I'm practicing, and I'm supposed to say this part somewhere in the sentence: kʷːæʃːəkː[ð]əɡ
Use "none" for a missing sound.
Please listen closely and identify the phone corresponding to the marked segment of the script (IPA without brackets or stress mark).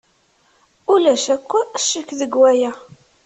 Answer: ð